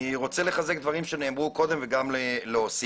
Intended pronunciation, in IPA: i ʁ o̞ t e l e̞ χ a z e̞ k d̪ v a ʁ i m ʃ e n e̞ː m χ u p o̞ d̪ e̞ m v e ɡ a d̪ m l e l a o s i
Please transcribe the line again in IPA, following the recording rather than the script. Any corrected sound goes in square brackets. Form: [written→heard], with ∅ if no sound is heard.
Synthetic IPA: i ʁ o̞ [t→t͡s] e l e̞ χ a z e̞ k d̪ v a ʁ i m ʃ e n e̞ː m [χ→ʁ] u [p→k] o̞ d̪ e̞ m v e ɡ a [d̪→∅] m l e l [a→e] o s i